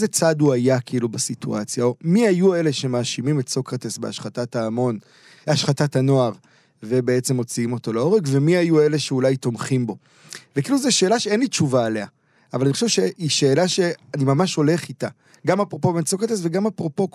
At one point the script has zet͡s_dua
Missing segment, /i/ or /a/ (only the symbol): a